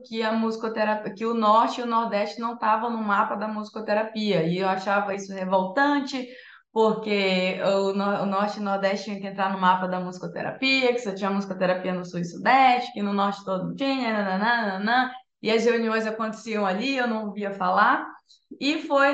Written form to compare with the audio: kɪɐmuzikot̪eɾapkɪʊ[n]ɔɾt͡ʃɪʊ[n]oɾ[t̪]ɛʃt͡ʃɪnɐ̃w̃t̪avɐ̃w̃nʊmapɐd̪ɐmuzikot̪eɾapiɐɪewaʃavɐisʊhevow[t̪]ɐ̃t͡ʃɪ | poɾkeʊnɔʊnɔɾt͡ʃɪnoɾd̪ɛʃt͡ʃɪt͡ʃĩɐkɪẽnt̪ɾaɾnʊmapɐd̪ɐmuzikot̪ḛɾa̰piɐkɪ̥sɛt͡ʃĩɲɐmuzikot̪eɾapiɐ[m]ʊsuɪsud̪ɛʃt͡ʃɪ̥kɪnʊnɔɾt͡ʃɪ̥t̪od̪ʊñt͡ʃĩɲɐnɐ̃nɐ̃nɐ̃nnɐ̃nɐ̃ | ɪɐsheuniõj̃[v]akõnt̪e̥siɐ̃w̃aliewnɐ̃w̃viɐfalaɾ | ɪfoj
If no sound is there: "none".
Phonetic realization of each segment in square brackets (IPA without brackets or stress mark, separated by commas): n, n, d̪, t̪, n, z